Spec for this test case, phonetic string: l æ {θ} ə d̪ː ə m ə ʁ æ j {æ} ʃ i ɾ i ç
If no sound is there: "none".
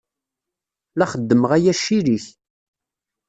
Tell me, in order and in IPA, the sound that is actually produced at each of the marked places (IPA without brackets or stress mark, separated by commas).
χ, æ